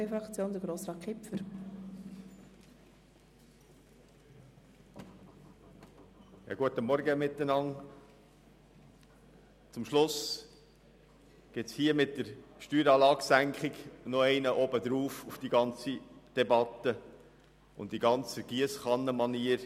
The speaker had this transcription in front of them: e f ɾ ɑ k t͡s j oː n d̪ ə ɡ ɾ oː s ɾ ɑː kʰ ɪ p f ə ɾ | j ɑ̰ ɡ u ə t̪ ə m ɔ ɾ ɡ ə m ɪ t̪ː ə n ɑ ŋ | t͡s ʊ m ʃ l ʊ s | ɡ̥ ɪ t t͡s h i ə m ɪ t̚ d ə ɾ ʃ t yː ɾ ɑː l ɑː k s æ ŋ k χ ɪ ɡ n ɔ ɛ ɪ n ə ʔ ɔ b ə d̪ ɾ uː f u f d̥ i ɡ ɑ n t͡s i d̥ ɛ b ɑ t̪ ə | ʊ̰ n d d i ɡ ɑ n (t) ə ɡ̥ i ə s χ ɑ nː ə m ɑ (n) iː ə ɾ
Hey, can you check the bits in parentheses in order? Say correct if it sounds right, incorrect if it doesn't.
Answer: incorrect: t͡s, correct

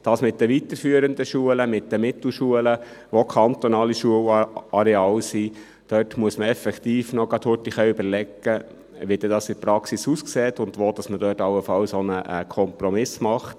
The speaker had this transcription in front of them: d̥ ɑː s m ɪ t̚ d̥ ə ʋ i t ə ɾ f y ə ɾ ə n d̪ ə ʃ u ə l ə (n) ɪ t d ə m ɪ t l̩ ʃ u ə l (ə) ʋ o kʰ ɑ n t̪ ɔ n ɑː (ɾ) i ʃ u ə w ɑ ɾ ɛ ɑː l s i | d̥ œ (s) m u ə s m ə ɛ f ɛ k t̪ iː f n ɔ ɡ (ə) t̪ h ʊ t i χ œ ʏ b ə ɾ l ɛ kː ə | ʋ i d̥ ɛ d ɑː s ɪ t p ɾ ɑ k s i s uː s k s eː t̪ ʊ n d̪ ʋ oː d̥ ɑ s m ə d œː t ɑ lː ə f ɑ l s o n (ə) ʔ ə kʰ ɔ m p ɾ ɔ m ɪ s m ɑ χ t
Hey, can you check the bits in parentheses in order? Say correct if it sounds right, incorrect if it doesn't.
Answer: incorrect: m, correct, incorrect: l, incorrect: t, incorrect: ɑ, correct

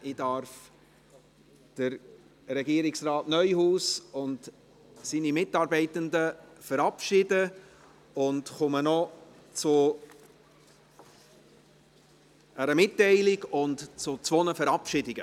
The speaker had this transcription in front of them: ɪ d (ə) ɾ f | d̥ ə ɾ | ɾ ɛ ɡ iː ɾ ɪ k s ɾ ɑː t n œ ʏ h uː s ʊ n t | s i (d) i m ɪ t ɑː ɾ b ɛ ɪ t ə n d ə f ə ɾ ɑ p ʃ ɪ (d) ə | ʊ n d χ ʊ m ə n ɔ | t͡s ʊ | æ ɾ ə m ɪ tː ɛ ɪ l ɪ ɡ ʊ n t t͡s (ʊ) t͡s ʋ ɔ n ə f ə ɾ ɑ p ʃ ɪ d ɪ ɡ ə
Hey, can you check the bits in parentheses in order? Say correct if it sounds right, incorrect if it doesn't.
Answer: incorrect: ɑ, incorrect: n, correct, correct

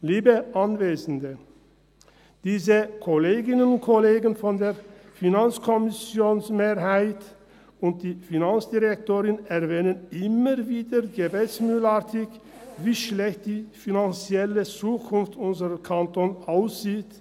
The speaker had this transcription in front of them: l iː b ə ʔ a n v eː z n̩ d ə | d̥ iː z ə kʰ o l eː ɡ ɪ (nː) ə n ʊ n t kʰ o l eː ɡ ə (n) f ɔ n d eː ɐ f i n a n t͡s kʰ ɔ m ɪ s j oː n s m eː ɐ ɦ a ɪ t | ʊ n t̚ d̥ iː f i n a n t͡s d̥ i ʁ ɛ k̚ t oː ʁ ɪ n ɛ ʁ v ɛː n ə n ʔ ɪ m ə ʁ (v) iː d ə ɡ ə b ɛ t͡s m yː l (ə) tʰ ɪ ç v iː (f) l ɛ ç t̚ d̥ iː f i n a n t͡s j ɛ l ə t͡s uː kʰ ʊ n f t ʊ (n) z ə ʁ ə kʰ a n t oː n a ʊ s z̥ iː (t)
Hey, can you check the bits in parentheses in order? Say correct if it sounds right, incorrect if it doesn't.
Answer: incorrect: n, correct, correct, incorrect: a, incorrect: ʃ, correct, correct

